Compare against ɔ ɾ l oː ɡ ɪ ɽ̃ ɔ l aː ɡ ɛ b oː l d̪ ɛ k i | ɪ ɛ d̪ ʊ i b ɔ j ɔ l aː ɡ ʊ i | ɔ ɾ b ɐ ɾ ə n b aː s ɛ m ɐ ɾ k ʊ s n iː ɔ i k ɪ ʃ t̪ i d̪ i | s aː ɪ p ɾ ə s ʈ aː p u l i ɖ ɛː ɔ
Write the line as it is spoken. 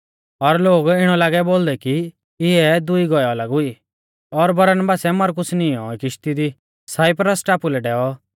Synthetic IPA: ɔ ɾ l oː ɡ ɪ ɽ̃ ɔ l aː ɡ ɛ b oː l d̪ ɛ k i | ɪ ɛ d̪ ʊ i ɡ ɔ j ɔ l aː ɡ ʊ i | ɔ ɾ b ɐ ɾ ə n b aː s ɛ m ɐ ɾ k ʊ s n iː ɔ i k ɪ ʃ t̪ i d̪ i | s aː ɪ p ɾ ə s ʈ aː p u l ɛ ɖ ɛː ɔ